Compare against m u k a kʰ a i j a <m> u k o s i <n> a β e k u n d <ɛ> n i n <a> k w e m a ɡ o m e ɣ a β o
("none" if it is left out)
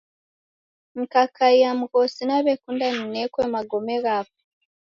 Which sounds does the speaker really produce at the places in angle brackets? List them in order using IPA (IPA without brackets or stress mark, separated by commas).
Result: m, n, a, e